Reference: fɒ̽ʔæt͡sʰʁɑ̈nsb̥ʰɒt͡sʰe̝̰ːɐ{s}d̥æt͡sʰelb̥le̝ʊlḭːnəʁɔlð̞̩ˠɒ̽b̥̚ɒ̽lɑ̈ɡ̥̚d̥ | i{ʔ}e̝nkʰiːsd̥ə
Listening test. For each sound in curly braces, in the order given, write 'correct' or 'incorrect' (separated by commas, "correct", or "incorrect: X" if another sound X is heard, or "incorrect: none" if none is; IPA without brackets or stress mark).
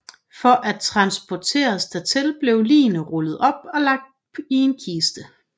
correct, incorrect: none